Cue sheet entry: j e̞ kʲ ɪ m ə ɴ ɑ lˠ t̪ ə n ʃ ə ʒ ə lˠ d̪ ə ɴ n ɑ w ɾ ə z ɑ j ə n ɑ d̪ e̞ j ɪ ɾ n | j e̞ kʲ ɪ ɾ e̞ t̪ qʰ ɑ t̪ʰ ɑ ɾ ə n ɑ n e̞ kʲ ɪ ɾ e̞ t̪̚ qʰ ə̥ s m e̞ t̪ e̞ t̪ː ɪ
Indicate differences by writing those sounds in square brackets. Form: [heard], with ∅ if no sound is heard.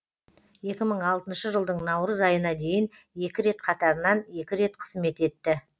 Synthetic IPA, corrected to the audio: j e̞ kʲ ɪ m ə ɴ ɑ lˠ t̪ ə n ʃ ə ʒ ə lˠ d̪ ə ɴ n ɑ w ɾ ə z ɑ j ə n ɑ d̪ e̞ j ɪ [∅] n | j e̞ kʲ ɪ ɾ e̞ t̪ qʰ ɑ [t̪] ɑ ɾ ə n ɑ n e̞ kʲ ɪ ɾ e̞ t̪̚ qʰ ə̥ [z] m e̞ t̪ e̞ t̪ː ɪ